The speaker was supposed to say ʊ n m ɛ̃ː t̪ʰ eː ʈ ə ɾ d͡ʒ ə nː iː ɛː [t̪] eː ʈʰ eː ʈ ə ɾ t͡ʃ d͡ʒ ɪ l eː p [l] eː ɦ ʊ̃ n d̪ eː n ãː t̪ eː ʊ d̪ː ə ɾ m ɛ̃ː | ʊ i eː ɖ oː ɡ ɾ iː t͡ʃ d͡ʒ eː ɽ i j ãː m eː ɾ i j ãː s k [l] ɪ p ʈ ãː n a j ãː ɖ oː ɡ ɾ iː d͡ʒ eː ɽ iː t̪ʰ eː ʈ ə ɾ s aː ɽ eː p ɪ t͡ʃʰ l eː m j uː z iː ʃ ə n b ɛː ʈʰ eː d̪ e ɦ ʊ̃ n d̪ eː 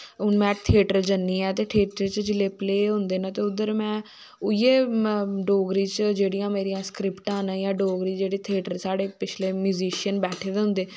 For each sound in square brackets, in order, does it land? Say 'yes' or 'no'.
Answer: yes, yes, no

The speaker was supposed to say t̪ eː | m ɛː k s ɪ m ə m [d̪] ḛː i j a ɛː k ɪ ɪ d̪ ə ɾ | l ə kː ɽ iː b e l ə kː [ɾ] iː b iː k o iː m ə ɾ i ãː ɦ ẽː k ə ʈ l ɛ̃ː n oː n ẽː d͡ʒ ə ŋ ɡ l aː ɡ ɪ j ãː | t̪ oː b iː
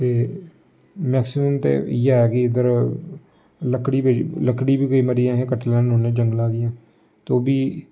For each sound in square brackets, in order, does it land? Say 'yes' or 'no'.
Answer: no, no

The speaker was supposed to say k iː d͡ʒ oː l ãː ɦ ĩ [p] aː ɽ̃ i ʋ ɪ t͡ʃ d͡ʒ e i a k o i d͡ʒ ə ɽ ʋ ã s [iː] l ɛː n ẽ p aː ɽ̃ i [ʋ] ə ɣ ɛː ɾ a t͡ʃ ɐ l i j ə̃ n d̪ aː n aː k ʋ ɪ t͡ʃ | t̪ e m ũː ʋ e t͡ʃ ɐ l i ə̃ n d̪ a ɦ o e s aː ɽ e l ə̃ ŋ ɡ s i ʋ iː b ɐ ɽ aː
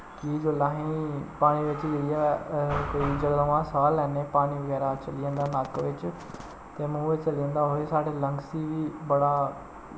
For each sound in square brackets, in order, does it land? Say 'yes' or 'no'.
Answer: yes, no, yes

